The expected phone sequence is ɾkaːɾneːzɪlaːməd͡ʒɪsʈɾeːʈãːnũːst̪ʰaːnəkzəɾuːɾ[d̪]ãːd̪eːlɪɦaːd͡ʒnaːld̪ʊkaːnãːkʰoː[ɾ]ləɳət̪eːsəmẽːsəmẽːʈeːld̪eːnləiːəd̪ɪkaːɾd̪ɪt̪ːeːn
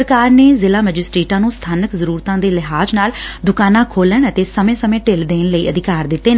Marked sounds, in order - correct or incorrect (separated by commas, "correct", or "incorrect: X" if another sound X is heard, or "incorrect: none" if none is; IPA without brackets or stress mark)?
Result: incorrect: t̪, incorrect: none